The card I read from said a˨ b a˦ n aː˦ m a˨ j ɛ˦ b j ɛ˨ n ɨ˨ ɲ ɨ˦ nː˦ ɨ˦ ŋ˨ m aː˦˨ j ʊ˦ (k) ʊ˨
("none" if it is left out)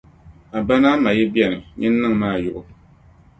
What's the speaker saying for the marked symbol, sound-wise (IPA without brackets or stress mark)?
ʔ